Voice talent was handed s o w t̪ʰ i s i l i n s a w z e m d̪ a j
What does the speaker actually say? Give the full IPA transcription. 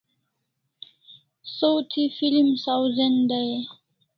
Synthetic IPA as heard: s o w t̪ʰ i f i l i m s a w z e n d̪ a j